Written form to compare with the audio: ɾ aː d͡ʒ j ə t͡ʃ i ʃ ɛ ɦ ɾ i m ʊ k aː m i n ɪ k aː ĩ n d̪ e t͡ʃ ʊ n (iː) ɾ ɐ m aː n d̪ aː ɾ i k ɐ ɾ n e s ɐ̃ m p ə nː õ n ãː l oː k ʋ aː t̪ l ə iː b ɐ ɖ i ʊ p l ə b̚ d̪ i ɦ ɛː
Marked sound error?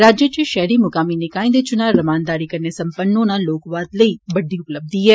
yes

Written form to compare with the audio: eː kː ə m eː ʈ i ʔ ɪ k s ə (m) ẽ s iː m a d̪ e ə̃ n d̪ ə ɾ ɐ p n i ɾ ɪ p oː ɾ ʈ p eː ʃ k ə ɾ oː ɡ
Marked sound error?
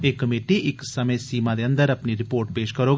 no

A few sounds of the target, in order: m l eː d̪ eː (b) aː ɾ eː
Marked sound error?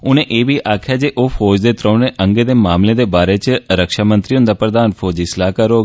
no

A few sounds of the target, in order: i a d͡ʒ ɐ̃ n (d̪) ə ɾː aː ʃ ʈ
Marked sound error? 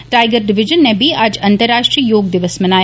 yes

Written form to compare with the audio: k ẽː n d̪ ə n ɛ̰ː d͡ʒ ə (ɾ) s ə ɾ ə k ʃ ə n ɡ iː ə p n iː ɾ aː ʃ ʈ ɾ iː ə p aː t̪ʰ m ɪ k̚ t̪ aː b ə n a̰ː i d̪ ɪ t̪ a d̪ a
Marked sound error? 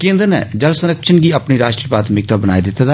yes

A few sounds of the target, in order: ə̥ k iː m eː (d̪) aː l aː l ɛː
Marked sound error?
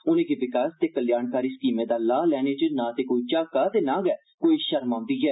no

